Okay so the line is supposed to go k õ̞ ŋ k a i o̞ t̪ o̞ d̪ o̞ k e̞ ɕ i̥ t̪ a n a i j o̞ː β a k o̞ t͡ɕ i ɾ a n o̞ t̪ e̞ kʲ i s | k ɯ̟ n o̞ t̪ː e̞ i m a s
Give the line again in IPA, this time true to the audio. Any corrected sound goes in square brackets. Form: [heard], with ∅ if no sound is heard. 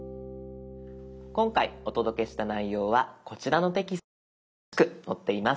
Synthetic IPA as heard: k õ̞ ŋ k a i o̞ t̪ o̞ d̪ o̞ k e̞ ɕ i̥ t̪ a n a i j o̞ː β a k o̞ t͡ɕ i ɾ a n o̞ t̪ e̞ kʲ i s | k ɯ̟ n o̞ t̪ː e̞ i m a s